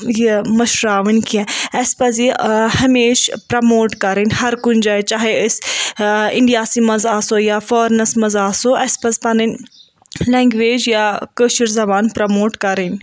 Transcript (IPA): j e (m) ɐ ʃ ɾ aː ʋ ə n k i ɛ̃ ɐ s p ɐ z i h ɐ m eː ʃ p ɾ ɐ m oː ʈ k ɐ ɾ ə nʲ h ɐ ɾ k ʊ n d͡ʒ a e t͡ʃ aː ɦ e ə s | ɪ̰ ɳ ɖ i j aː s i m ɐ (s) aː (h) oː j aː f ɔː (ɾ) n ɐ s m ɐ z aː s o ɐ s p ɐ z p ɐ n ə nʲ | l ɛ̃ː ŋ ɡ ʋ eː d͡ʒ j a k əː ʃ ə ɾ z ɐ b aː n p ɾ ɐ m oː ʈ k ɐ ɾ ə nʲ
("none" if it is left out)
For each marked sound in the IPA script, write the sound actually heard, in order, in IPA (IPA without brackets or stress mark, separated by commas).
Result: m, z, s, ɾ